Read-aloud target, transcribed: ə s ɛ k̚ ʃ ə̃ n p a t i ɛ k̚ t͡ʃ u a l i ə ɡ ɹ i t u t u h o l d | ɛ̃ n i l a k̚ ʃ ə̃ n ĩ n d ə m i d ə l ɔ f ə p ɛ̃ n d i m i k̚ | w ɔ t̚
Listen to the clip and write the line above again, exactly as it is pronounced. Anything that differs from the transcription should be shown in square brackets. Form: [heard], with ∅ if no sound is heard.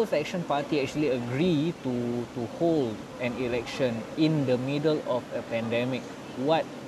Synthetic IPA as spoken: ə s ɛ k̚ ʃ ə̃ n p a t i ɛ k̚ t͡ʃ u [ə] l i ə ɡ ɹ i t u t u h o l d | ɛ̃ n i l [ɛ] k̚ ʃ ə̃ n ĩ n d ə m i d ə l ɔ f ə p ɛ̃ n d [ɛ] m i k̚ | w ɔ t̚